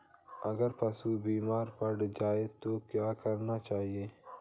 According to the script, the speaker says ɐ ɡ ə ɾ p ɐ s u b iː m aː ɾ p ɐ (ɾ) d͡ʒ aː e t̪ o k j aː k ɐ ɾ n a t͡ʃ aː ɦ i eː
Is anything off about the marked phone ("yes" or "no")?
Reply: yes